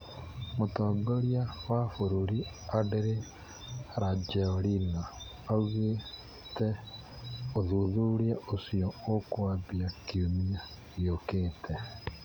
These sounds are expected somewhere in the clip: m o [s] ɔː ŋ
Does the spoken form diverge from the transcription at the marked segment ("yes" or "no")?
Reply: yes